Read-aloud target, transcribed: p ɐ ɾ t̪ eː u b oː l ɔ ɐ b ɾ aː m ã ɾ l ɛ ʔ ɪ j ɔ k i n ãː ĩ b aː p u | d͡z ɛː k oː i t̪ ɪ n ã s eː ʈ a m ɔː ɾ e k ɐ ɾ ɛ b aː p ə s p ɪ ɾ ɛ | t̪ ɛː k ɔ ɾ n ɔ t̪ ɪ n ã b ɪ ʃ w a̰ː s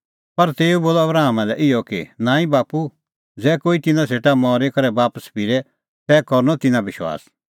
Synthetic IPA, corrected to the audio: p ɐ ɾ t̪ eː u b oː l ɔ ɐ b ɾ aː m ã l ɛ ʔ ɪ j ɔ k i n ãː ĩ b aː p u | d͡z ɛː k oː i t̪ ɪ n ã s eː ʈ a m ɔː ɾ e k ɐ ɾ ɛ b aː p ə s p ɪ ɾ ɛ | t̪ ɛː k ɔ ɾ n ɔ t̪ ɪ n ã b ɪ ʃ w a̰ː s